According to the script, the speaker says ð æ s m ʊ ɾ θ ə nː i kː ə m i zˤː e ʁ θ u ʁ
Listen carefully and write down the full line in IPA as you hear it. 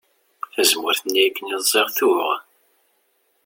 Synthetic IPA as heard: θ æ z m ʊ ɾ θ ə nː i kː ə n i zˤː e ʁ θ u ʁ